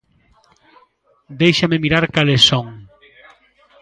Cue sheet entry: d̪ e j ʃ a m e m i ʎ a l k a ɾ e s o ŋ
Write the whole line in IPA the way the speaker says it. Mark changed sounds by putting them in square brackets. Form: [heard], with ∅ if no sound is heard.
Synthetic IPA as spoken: d̪ e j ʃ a m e m i [ɾ] a [ɾ] k a [l] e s o ŋ